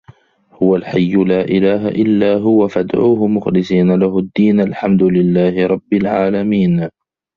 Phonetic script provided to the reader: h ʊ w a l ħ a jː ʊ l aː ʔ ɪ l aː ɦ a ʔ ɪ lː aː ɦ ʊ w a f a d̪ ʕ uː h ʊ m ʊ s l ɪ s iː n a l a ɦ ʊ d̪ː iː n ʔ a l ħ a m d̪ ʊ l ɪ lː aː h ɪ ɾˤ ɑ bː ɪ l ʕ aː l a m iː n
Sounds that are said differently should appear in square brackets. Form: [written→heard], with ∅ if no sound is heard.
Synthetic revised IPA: h ʊ w a l ħ a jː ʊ l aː ʔ ɪ l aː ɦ a ʔ ɪ lː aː ɦ ʊ w a f a d̪ ʕ uː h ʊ m ʊ [s→x] l ɪ s iː n a l a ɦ ʊ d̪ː iː n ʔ a l ħ a m d̪ ʊ l ɪ lː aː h ɪ ɾˤ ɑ bː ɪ l ʕ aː l a m iː n